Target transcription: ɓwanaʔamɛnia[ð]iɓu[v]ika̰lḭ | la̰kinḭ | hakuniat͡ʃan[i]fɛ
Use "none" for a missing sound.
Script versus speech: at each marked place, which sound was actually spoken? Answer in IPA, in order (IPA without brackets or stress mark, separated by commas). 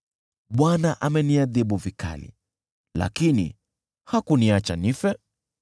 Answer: ð, v, i